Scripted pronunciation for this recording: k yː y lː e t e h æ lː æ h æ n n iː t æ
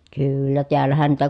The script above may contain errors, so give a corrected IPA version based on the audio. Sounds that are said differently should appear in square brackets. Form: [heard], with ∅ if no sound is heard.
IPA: k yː y lː [æ] t e [∅] æ lː æ h æ n n iː t æ